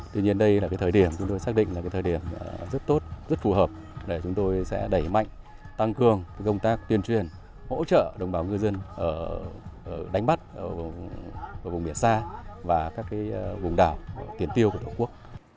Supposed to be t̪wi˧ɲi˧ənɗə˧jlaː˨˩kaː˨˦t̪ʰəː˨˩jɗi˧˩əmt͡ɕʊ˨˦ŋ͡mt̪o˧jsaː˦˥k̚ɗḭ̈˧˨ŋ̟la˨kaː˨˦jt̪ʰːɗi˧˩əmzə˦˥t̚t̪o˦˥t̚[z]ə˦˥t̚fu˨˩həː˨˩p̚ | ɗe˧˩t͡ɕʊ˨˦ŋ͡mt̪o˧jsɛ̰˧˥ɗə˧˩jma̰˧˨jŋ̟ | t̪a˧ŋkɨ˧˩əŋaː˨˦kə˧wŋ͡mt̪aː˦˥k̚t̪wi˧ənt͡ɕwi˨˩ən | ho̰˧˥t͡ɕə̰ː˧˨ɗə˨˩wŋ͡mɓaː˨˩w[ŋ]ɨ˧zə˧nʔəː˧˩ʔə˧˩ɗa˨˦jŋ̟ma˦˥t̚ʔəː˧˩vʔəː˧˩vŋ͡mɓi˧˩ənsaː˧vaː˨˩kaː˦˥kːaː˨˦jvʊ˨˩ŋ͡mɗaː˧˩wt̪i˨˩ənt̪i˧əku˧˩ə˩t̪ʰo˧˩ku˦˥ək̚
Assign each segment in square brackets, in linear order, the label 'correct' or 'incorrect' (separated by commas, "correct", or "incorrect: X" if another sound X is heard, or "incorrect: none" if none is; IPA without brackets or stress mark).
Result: correct, correct